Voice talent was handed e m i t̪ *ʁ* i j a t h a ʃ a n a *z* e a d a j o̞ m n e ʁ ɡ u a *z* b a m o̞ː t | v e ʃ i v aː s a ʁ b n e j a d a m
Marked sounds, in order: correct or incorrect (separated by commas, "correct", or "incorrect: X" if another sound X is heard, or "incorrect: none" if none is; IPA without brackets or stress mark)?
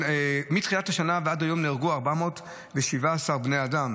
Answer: incorrect: χ, incorrect: v, incorrect: ʁ